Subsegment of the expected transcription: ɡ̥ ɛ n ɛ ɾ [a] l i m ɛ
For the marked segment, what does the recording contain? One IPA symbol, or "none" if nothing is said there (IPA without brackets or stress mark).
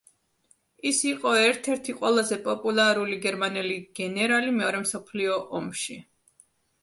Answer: a